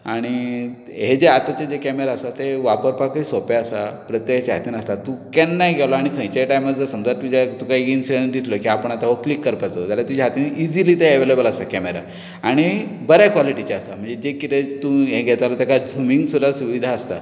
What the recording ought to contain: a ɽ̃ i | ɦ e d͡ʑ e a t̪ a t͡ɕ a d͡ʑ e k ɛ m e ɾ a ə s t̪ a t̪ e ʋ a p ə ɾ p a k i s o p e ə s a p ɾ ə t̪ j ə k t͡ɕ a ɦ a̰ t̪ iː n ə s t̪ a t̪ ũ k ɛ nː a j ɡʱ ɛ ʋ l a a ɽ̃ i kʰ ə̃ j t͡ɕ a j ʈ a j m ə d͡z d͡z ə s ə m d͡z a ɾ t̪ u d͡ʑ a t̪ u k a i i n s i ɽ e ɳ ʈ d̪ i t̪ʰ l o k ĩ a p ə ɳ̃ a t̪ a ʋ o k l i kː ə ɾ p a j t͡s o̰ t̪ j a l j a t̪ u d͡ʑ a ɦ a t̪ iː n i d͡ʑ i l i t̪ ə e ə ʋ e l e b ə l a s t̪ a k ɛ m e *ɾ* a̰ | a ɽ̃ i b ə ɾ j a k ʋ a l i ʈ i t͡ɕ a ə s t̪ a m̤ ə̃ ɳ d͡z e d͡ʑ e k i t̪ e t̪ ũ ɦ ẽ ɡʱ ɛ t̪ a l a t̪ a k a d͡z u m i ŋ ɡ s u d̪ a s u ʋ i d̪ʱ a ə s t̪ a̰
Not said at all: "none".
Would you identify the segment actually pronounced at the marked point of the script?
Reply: ɾ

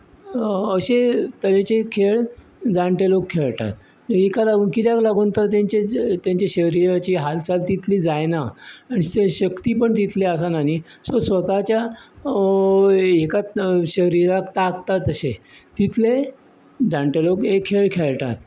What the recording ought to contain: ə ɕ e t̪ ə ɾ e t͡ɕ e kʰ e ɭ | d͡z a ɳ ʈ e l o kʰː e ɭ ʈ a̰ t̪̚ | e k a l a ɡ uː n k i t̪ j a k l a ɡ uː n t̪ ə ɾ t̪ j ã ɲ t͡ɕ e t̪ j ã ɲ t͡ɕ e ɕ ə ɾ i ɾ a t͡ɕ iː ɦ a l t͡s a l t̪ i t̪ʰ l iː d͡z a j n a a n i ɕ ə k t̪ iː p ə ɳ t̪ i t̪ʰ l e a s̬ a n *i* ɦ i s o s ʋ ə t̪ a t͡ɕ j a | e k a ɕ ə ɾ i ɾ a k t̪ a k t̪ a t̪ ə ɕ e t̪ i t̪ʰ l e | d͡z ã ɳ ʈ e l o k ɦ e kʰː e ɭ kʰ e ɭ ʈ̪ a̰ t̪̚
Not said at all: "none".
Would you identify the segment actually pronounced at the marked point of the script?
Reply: a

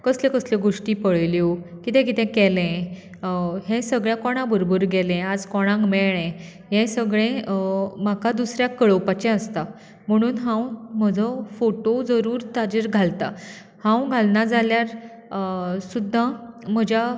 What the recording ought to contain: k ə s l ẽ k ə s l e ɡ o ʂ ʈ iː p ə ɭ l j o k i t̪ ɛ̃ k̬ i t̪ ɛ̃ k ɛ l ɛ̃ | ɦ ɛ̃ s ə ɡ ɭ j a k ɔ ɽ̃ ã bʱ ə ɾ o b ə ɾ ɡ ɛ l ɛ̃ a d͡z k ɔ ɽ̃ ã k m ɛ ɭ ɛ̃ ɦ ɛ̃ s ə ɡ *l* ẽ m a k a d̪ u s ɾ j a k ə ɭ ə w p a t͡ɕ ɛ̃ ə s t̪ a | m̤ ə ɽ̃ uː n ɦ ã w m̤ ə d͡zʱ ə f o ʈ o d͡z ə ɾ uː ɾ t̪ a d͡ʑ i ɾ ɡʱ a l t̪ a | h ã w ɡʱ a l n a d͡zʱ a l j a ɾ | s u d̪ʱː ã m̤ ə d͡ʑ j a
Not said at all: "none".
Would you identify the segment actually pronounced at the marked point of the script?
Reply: ɭ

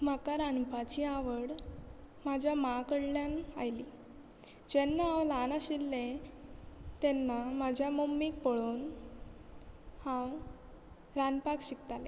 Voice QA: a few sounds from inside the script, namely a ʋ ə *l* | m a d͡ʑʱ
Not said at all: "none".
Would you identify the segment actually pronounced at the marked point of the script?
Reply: ɽ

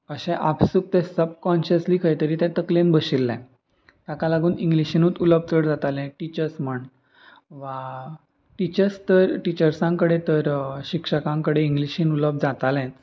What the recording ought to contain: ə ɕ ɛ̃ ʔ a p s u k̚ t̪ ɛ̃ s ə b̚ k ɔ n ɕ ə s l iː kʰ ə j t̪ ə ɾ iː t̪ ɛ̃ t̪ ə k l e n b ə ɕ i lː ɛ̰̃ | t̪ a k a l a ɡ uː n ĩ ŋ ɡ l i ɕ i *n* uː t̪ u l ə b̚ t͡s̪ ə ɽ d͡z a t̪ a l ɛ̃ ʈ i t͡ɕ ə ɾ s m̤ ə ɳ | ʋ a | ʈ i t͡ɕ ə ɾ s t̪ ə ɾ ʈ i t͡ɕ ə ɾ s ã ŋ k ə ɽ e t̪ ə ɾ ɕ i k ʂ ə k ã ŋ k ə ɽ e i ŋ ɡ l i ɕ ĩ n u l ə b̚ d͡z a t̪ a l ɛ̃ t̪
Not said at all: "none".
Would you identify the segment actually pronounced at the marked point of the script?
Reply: n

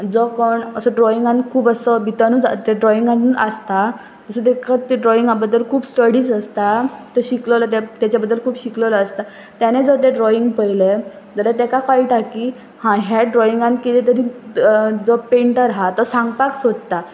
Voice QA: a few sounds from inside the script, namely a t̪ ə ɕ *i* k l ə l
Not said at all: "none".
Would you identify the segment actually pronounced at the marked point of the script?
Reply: i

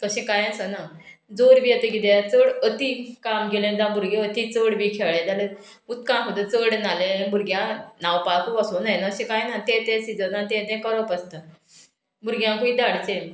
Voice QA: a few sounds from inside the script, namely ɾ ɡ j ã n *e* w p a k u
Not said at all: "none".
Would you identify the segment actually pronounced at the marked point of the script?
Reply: a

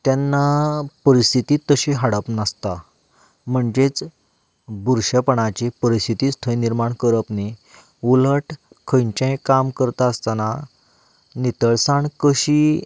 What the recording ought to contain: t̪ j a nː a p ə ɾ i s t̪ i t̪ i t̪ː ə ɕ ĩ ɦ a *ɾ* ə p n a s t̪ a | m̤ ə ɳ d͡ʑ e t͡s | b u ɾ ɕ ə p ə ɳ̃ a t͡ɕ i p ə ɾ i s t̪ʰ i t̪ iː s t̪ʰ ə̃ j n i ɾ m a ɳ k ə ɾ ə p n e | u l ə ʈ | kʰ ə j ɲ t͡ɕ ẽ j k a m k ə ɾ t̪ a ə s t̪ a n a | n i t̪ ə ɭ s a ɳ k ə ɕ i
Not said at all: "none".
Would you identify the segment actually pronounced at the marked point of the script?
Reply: ɽ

